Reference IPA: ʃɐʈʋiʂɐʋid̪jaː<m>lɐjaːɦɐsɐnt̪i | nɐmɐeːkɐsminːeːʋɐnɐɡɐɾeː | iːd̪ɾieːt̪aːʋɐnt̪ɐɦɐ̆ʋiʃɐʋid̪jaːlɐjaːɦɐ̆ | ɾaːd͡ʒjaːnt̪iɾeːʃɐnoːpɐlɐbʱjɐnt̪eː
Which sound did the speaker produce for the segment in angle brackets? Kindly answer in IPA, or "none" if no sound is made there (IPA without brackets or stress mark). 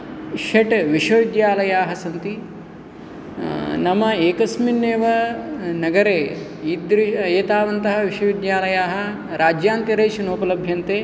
none